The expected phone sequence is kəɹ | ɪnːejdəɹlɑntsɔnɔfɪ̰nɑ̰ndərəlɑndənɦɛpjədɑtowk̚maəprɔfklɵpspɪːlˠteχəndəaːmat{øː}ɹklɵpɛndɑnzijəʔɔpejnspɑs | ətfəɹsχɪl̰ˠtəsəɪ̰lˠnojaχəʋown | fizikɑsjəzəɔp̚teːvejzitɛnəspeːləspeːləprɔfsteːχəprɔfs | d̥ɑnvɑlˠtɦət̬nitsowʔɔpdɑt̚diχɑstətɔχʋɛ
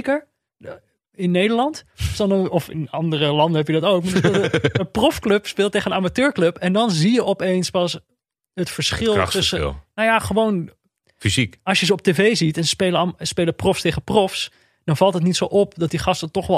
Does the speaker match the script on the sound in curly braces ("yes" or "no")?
yes